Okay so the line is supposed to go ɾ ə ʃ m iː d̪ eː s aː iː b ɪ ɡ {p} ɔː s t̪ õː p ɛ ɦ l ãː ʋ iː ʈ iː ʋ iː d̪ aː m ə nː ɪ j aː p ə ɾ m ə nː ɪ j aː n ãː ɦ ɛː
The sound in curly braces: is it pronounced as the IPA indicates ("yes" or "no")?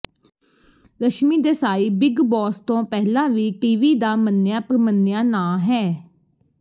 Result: no